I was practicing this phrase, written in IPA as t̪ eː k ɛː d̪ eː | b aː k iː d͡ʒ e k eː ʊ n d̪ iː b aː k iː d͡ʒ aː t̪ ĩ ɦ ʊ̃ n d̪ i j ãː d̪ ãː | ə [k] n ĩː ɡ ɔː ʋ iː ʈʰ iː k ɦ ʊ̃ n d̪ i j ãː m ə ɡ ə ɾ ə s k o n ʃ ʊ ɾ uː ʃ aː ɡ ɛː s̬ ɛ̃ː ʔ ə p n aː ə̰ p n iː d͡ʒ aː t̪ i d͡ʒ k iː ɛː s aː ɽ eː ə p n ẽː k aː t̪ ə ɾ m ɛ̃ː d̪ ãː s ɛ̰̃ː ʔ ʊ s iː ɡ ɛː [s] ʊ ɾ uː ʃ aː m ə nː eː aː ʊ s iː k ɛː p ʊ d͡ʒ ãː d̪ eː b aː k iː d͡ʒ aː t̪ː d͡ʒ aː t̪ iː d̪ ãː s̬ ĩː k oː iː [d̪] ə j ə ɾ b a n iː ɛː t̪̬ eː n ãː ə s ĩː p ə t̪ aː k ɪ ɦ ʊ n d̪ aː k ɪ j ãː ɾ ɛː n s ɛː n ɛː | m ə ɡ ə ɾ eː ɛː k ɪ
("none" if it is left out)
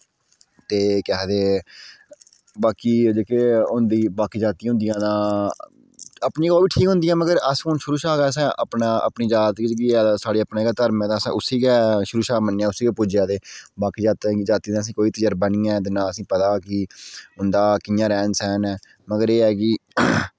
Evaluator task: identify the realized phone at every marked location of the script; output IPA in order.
p, ʃ, t̪

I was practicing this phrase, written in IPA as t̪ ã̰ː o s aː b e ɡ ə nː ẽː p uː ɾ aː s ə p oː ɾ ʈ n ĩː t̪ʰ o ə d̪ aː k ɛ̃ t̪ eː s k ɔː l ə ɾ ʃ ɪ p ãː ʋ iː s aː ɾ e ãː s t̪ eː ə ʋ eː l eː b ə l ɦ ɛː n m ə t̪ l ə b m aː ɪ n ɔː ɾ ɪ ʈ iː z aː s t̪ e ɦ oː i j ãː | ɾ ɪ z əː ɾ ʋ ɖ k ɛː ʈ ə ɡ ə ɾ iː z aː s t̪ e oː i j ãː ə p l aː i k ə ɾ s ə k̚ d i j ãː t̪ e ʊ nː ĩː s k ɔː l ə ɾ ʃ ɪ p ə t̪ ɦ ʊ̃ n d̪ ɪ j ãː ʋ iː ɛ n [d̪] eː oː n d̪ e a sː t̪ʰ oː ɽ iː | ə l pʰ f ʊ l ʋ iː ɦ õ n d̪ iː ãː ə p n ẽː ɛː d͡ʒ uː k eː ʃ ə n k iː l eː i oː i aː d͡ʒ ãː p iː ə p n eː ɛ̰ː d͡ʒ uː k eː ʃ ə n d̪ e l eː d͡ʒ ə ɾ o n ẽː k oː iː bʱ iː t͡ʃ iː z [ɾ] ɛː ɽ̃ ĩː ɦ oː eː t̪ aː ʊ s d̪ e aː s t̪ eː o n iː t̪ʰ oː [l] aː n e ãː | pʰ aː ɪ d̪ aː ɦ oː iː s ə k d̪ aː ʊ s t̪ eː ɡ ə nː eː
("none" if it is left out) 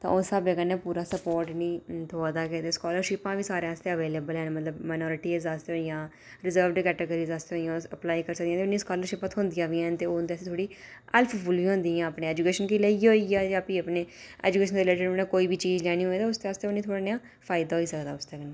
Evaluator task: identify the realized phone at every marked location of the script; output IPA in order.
t̪, l, ɽ

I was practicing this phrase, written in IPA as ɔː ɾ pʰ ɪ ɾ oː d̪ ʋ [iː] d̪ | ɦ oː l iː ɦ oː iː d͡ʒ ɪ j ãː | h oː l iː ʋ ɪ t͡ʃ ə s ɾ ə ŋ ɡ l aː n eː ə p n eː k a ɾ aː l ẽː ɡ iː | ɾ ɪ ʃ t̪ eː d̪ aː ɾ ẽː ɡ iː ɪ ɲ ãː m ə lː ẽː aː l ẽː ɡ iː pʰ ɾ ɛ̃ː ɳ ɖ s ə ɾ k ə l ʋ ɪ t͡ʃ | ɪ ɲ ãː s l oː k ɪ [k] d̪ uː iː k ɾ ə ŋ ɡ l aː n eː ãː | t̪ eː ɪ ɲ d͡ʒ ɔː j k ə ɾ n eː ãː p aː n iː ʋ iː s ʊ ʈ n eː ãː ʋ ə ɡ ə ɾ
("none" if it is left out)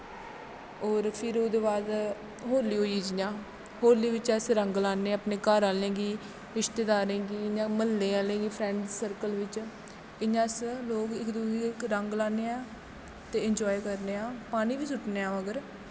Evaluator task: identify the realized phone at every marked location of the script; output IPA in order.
aː, k

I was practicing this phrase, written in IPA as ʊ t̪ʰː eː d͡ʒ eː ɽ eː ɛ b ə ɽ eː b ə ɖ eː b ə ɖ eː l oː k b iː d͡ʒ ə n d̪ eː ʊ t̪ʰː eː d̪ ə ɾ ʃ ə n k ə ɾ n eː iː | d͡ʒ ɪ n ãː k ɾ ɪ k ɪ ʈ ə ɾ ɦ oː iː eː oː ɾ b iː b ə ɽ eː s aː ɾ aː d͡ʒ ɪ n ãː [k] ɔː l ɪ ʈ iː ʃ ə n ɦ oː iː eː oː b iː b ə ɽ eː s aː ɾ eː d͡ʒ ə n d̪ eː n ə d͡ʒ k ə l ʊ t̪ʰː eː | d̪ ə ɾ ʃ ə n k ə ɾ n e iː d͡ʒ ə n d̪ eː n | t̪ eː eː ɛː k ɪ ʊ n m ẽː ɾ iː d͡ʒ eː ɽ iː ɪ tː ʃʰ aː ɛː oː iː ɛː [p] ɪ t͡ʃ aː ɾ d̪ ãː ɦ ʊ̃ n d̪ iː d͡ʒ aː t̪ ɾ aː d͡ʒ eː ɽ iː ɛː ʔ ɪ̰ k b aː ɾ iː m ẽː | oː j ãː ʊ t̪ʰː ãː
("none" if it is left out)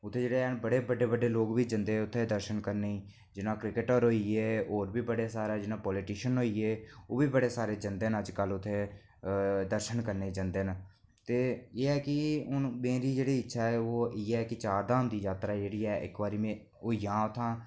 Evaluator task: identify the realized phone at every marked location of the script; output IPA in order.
p, k

